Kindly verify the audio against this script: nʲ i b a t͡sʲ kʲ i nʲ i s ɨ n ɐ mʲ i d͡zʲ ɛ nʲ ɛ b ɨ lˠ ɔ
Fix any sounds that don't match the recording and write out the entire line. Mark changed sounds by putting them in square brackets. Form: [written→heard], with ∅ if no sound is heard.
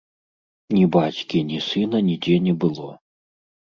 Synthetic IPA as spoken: nʲ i b a t͡sʲ kʲ i nʲ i s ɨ n ɐ [mʲ→nʲ] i d͡zʲ ɛ nʲ ɛ b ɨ lˠ ɔ